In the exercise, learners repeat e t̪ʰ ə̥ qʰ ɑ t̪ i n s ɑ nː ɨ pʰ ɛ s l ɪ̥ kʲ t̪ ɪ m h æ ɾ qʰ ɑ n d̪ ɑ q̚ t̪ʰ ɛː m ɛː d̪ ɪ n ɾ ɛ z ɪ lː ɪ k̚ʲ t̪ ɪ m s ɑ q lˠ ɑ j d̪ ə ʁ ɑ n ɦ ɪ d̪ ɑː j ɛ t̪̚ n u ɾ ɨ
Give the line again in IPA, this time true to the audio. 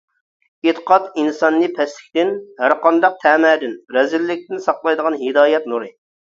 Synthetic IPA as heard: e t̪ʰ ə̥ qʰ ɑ t̪ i n s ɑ nː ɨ pʰ ɛ s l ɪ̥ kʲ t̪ ɪ n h æ ɾ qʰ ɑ n d̪ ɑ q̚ t̪ʰ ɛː m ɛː d̪ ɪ n ɾ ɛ z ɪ lː ɪ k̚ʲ t̪ ɪ n s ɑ q lˠ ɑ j d̪ ə ʁ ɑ n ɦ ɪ d̪ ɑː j ɛ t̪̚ n u ɾ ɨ